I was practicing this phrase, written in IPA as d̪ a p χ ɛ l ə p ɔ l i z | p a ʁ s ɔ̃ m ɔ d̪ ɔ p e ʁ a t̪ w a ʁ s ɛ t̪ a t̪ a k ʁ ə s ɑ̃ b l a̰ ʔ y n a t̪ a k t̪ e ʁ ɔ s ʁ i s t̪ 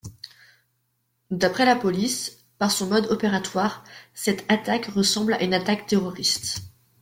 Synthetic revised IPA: d̪ a p χ ɛ l a p ɔ l i s | p a ʁ s ɔ̃ m ɔ d̪ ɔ p e ʁ a t̪ w a ʁ s ɛ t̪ a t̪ a k ʁ ə s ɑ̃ b l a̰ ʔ y n a t̪ a k t̪ e ʁ ɔ ʁ i s t̪